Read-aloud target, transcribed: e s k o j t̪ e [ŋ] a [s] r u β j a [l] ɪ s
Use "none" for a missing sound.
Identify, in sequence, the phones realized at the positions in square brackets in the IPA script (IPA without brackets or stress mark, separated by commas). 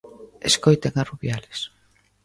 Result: ŋ, none, l